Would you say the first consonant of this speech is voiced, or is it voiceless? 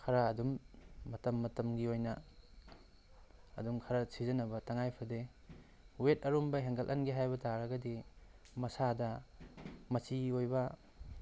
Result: voiceless